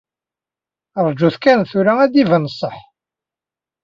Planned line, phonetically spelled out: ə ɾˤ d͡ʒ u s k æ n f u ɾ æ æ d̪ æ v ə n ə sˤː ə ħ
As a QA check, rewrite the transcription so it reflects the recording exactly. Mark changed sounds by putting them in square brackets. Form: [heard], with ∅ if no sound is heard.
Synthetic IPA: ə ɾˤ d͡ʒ u [θ] k æ n [θ] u ɾ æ æ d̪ [i] v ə n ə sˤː ə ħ

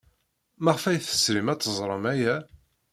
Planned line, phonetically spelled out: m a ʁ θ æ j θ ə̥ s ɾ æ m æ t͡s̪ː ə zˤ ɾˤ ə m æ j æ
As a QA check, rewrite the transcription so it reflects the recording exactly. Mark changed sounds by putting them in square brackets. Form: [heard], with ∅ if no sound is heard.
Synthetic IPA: m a ʁ [f] æ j θ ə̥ s ɾ [i] m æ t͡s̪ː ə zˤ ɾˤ ə m æ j æ

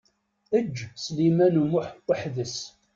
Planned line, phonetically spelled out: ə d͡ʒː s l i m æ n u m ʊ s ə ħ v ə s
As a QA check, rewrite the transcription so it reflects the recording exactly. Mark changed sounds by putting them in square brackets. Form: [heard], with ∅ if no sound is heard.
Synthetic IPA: ə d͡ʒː s l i m æ n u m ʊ [ħ] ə ħ [ð] ə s

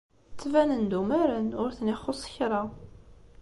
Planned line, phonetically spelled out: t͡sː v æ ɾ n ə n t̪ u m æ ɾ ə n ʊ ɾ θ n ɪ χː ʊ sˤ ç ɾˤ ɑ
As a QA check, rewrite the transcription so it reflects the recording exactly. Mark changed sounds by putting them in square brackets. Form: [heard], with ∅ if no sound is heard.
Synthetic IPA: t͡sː v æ [∅] n ə n [d̪] u m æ ɾ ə n ʊ ɾ θ n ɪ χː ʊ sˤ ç ɾˤ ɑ

